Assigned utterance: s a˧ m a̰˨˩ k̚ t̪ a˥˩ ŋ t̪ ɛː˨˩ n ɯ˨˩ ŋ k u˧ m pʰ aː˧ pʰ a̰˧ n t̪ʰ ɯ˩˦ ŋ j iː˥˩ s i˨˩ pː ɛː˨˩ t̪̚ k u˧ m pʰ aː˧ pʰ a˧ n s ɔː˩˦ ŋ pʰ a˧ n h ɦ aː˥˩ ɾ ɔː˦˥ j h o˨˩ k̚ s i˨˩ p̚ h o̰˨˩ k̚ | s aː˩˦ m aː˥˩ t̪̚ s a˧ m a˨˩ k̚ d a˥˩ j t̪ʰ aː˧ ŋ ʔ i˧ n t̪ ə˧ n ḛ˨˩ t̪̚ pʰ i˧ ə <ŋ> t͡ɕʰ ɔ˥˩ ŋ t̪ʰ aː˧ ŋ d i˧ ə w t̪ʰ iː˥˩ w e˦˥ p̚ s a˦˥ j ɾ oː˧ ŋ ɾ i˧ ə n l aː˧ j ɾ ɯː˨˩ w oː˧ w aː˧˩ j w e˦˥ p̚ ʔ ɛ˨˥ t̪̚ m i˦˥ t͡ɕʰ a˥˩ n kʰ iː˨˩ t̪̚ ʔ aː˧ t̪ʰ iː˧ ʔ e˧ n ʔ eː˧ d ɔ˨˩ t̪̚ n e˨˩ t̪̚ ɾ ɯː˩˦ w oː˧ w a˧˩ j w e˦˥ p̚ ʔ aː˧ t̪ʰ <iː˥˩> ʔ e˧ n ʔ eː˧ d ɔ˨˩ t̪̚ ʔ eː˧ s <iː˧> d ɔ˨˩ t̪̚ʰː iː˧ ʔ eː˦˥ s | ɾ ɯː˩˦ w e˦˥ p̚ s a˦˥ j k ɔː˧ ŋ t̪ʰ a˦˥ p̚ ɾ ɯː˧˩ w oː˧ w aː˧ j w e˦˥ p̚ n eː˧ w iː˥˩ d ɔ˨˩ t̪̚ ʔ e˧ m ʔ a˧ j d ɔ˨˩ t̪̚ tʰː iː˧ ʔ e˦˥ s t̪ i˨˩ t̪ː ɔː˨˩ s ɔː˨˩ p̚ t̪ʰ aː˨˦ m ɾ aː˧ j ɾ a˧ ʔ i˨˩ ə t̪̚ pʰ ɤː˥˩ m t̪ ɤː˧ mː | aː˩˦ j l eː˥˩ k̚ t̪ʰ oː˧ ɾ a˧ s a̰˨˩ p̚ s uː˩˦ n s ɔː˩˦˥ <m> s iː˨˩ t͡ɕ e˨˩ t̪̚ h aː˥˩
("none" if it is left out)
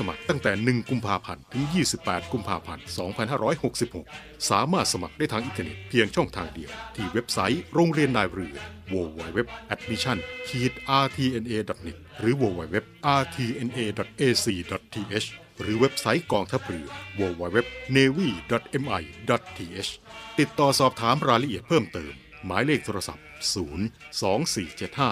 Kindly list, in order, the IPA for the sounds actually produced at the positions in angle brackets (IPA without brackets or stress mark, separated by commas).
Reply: ŋ, iː˧, iː˧, ŋ